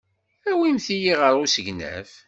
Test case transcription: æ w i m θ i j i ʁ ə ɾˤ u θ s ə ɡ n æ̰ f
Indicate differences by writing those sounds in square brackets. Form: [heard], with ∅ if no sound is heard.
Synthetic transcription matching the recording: æ w i m θ i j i ʁ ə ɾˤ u [∅] s ə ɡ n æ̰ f